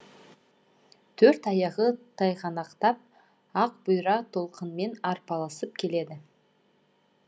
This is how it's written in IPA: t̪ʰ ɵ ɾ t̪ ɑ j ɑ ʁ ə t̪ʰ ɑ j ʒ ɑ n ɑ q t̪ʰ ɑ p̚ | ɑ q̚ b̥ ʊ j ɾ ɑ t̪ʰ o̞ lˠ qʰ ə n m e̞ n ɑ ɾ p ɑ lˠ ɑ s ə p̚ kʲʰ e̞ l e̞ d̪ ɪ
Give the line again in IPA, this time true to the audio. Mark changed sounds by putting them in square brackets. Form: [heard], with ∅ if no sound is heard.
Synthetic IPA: t̪ʰ ɵ ɾ t̪ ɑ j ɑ ʁ ə t̪ʰ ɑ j [ʁ] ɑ n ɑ q [t̪] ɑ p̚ | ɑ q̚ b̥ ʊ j ɾ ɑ t̪ʰ o̞ lˠ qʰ ə n m e̞ n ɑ ɾ p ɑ lˠ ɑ s ə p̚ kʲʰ e̞ l e̞ d̪ ɪ